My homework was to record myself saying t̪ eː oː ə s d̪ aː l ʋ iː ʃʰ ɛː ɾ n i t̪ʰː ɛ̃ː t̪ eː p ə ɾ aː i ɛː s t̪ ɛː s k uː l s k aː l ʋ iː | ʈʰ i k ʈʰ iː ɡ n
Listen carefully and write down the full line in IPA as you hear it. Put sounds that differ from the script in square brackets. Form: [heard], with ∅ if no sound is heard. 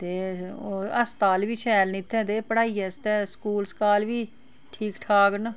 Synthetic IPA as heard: t̪ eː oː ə s [t̪] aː l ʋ iː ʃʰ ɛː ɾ n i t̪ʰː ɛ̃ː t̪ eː p ə [ɽ] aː i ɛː s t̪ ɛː s k uː l s k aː l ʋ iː | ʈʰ [iː] k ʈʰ [aː] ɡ n